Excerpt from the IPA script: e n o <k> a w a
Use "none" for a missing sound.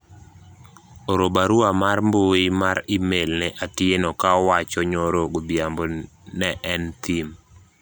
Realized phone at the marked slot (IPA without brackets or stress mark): k